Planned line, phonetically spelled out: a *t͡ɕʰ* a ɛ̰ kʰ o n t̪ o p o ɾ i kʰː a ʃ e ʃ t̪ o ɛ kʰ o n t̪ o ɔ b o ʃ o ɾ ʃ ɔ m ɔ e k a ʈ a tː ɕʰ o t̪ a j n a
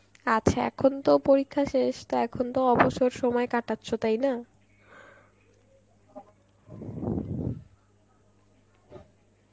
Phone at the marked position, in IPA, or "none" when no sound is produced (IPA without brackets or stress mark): t͡ɕʰ